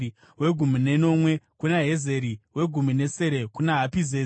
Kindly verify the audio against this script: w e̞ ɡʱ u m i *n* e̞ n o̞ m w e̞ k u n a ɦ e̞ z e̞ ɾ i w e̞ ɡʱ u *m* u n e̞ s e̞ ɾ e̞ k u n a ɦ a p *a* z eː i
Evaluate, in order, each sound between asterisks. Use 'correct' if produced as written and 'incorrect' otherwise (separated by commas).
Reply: correct, correct, incorrect